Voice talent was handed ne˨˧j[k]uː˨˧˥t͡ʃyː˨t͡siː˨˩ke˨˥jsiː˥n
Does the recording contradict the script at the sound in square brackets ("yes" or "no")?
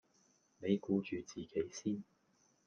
no